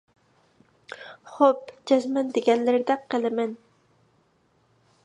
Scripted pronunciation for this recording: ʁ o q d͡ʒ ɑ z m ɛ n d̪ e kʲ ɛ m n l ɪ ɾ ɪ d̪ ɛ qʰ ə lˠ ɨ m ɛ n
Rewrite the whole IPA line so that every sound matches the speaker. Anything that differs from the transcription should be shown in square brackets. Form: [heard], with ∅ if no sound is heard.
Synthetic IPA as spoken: [χ] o [p] d͡ʒ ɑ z m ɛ n d̪ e [ɡʲ] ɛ [∅] n l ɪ ɾ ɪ d̪ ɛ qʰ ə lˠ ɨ m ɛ n

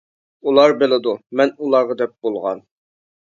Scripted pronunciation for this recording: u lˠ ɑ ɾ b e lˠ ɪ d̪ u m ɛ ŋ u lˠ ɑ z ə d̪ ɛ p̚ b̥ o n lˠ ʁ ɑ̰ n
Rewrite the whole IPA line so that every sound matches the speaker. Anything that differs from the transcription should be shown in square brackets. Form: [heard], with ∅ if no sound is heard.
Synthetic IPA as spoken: u lˠ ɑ ɾ b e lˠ ɪ d̪ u m ɛ [n] u lˠ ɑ [ʁ] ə d̪ ɛ p̚ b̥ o [∅] lˠ ʁ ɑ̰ n

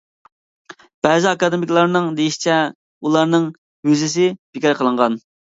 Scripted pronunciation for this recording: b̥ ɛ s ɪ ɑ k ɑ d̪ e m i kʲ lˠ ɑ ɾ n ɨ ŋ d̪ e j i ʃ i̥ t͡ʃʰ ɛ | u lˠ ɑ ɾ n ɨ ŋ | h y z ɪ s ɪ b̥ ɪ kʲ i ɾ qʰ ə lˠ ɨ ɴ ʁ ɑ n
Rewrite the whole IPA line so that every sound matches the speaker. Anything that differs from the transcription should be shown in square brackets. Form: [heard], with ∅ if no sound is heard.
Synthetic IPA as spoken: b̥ ɛ [z] ɪ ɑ k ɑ d̪ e m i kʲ lˠ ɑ ɾ n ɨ ŋ d̪ e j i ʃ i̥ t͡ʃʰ ɛ | u lˠ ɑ ɾ n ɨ ŋ | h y z ɪ s ɪ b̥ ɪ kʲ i ɾ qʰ ə lˠ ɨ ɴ ʁ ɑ n

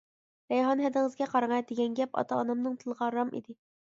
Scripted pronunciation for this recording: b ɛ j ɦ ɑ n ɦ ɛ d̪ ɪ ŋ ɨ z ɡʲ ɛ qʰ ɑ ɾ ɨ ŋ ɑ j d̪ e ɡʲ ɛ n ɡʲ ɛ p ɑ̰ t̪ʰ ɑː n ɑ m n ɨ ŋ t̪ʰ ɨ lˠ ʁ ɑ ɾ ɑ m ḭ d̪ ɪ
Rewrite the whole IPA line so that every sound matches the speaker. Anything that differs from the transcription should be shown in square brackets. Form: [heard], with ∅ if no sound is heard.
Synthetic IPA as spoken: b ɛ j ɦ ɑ n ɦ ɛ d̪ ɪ ŋ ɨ z ɡʲ ɛ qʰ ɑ ɾ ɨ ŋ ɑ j d̪ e ɡʲ ɛ n ɡʲ ɛ p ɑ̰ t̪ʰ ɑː n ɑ m n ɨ ŋ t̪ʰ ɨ lˠ ʁ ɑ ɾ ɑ m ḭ d̪ ɪ

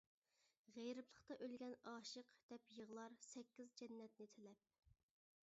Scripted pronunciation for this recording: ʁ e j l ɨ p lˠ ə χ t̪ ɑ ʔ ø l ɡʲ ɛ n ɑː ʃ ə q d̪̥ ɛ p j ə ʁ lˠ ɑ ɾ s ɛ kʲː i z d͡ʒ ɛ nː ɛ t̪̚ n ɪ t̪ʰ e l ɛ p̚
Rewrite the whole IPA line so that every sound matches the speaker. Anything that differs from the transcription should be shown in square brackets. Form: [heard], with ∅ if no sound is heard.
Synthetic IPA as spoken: ʁ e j [ɾ] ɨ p lˠ ə χ t̪ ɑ ʔ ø l ɡʲ ɛ n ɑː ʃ ə q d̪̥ ɛ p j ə ʁ lˠ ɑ ɾ s ɛ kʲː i z d͡ʒ ɛ nː ɛ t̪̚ n ɪ t̪ʰ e l ɛ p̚

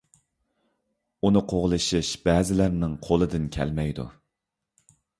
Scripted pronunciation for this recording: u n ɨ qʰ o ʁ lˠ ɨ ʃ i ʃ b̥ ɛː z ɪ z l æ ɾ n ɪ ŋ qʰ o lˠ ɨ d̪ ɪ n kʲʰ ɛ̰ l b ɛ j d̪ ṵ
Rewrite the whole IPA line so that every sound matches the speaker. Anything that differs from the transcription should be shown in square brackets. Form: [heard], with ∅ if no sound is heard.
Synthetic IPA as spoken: u n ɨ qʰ o ʁ lˠ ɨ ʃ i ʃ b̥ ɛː z ɪ [∅] l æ ɾ n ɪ ŋ qʰ o lˠ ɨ d̪ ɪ n kʲʰ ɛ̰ l [m] ɛ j d̪ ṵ

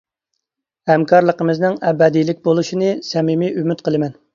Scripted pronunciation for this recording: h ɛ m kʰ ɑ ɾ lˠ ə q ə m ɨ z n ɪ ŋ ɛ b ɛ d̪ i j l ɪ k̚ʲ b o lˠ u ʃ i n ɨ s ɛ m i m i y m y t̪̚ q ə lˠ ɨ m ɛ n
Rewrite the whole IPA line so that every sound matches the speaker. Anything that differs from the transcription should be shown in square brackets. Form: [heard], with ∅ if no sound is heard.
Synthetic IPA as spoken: h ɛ m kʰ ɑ ɾ lˠ ə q ə m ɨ z n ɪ ŋ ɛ b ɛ d̪ i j l ɪ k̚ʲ b o lˠ u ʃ i n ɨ s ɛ m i m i y m y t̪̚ q ə lˠ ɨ m ɛ n

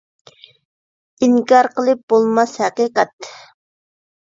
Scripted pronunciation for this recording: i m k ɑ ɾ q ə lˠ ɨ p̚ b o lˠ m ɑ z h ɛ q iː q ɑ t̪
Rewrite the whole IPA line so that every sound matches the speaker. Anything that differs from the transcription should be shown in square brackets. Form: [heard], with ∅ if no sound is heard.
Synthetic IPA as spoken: i [ŋ] k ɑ ɾ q ə lˠ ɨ p̚ b o lˠ m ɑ [s] h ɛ q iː q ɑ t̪

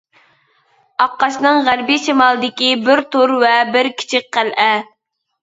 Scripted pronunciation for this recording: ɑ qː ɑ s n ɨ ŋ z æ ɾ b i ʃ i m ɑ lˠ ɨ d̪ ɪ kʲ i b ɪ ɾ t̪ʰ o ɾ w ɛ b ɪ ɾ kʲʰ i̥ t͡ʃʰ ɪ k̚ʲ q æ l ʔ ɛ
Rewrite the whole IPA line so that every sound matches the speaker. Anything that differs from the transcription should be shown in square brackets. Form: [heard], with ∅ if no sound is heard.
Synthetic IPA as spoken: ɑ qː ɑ [ʃ] n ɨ ŋ [ʁ] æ ɾ b i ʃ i m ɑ lˠ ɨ d̪ ɪ kʲ i b ɪ ɾ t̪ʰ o ɾ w ɛ b ɪ ɾ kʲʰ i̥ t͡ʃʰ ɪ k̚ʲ q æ l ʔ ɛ

